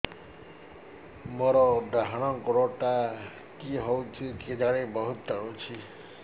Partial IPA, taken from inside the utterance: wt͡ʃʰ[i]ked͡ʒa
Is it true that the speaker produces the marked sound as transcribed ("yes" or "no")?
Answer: yes